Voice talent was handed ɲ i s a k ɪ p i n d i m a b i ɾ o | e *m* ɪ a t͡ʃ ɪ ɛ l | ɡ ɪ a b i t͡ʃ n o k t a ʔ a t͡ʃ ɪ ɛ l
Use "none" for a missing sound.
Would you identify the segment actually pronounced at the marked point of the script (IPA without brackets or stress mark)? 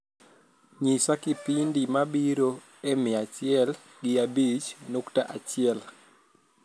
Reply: m